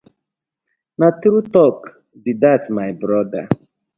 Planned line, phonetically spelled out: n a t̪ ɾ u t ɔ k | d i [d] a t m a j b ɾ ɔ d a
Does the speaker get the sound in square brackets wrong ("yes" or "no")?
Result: no